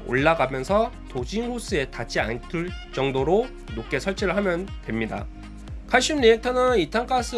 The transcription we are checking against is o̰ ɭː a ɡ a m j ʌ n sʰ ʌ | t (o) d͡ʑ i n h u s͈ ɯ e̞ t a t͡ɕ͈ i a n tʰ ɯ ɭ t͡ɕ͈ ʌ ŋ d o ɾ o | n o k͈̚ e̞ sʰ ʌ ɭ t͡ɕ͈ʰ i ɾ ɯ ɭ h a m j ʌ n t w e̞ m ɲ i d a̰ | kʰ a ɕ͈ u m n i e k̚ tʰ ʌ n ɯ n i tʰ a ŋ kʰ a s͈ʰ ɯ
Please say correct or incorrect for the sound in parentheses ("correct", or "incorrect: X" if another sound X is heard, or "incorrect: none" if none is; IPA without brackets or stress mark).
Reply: correct